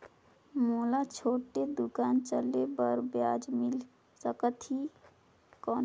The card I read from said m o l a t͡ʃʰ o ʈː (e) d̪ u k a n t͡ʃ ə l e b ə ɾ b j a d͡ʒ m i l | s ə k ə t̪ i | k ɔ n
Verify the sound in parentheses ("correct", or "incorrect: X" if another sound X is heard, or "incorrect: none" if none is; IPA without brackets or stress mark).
correct